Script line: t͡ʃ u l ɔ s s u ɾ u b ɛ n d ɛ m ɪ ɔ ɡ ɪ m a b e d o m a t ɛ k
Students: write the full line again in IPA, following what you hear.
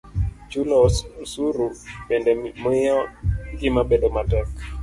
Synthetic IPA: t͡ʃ u l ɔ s s u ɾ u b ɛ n d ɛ m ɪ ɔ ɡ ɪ m a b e d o m a t ɛ k

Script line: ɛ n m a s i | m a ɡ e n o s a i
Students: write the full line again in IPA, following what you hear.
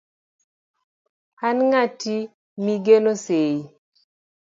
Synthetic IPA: a n ŋ a t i | m i ɡ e n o s e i

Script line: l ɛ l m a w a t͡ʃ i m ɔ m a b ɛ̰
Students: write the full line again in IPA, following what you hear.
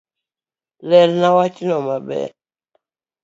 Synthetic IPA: l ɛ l n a w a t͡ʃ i n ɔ m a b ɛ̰

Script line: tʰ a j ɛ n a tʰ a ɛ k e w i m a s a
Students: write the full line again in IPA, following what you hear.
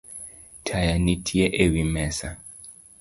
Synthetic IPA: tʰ a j a n i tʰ i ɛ ʔ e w i m ɛ s a

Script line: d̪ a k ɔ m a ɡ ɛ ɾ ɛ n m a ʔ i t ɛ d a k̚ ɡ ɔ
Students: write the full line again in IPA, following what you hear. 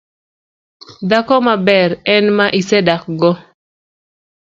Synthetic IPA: d̪ a k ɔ m a b ɛ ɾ ɛ n m a ʔ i s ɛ d a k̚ ɡ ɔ

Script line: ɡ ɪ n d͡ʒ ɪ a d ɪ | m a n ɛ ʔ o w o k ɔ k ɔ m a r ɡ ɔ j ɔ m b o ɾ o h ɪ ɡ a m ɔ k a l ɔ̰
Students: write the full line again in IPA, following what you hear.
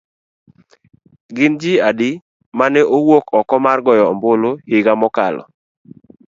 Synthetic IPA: ɡ ɪ n d͡ʒ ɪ a d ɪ | m a n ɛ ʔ o w o k ɔ k ɔ m a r ɡ ɔ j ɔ m b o l o h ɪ ɡ a m ɔ k a l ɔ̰

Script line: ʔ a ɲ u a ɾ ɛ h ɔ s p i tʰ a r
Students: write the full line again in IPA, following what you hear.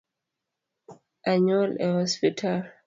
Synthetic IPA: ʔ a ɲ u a l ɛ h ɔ s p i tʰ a l

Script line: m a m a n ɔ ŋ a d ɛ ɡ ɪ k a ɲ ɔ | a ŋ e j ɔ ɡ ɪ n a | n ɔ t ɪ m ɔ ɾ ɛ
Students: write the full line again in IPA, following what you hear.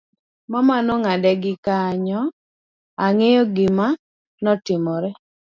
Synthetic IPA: m a m a n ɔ ŋ a d ɛ ɡ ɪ k a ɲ ɔ | a ŋ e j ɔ ɡ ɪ m a | n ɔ t ɪ m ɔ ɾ ɛ

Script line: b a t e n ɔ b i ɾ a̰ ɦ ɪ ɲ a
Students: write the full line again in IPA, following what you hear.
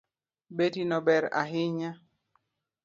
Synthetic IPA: b e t i n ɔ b ɛ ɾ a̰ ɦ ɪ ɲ a

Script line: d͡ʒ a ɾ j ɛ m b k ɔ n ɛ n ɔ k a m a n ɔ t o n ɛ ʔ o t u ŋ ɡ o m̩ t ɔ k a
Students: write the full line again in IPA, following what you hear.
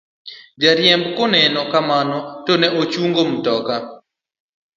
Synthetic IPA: d͡ʒ a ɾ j ɛ m b k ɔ n ɛ n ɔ k a m a n ɔ t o n ɛ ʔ o t͡ʃ u ŋ ɡ o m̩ t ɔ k a

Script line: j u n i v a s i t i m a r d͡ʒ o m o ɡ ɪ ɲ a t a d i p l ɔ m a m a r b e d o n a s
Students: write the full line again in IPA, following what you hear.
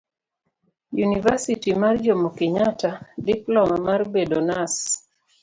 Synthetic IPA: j u n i v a s i t i m a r d͡ʒ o m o k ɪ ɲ a t a d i p l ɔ m a m a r b e d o n a s

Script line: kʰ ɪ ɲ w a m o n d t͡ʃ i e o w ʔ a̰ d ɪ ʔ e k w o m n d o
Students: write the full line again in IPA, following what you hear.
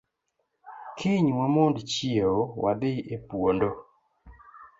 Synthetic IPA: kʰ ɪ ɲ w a m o n d t͡ʃ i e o w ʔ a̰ d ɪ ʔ e p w o n d o

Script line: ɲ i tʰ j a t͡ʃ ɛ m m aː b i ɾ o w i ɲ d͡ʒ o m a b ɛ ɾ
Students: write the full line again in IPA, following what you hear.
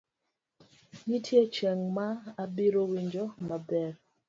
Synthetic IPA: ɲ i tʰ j e t͡ʃ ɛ ŋ m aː b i ɾ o w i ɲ d͡ʒ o m a b ɛ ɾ

